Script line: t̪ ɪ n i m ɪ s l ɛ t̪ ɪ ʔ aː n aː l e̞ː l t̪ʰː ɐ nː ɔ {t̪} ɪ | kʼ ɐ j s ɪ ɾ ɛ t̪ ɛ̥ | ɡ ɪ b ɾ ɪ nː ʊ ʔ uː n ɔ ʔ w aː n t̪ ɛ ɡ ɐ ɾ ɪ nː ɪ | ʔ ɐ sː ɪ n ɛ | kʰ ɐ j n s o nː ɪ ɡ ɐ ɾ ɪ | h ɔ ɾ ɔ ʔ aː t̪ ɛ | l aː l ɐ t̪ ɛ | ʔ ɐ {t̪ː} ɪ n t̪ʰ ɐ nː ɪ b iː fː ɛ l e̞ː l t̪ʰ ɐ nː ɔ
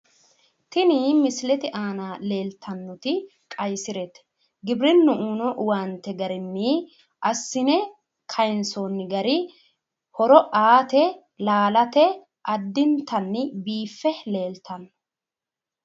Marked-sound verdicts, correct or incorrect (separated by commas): correct, incorrect